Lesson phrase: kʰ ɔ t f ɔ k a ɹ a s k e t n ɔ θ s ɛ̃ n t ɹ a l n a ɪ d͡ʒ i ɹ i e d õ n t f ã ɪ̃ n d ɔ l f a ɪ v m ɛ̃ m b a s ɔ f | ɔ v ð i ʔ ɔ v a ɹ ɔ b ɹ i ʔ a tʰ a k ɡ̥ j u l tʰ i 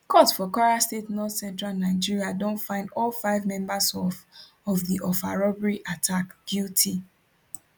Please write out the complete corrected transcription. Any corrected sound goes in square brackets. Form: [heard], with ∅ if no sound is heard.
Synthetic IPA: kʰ ɔ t f ɔ k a ɹ a s [t] e t n ɔ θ s ɛ̃ n t ɹ a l n a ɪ d͡ʒ i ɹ i [a] d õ n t f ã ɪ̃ n d ɔ l f a ɪ v m ɛ̃ m b a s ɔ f | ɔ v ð i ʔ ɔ [f] a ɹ ɔ b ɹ i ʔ a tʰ a k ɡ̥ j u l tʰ i